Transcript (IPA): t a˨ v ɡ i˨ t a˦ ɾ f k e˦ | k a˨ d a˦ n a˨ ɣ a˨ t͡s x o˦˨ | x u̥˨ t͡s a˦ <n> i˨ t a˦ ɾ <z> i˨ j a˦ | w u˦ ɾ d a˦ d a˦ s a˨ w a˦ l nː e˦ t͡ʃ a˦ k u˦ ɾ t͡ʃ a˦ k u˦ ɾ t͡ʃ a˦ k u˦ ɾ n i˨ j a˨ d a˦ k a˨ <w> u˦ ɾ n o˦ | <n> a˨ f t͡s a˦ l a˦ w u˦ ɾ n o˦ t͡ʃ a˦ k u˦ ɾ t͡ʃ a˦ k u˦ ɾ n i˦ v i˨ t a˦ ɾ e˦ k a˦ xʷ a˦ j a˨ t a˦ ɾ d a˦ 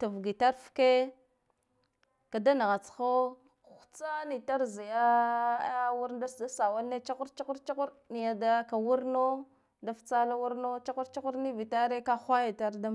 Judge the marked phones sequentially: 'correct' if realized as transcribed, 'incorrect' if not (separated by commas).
correct, correct, correct, incorrect